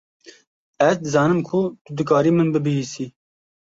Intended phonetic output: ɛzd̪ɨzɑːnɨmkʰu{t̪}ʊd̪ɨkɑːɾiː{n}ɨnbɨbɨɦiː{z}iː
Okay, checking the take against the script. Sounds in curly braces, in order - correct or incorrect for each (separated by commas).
correct, incorrect, incorrect